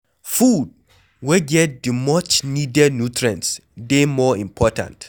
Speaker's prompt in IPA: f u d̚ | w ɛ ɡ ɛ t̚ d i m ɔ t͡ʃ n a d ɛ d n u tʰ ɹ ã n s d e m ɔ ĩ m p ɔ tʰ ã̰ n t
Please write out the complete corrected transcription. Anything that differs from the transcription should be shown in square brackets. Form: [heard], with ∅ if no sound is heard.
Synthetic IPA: f u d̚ | w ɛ ɡ ɛ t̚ d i m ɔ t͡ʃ n [i] d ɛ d n u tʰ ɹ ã n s d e m ɔ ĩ m [pʰ] ɔ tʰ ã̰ n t